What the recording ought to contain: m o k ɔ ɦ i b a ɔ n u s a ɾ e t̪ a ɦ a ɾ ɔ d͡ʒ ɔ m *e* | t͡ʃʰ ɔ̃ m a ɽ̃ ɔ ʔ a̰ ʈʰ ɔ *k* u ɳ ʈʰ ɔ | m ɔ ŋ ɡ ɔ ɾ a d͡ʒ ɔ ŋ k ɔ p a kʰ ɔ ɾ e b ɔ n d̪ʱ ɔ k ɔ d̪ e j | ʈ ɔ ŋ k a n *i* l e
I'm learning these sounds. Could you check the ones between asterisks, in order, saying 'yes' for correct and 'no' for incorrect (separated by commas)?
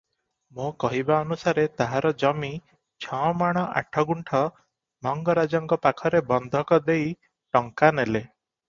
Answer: no, no, no